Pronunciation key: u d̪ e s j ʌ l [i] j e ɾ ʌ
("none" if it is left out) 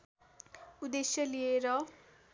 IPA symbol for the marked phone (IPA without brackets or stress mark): i